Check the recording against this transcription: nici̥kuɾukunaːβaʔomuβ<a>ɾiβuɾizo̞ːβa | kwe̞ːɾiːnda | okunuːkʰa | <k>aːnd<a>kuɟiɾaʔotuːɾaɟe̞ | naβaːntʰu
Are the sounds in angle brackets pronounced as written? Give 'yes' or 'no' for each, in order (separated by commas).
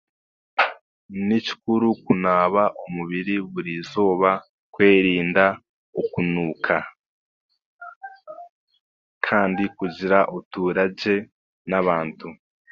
no, no, no